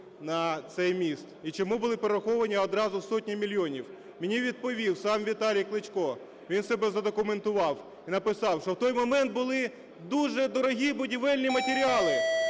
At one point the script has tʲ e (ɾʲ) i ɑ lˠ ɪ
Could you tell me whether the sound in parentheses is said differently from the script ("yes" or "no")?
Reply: no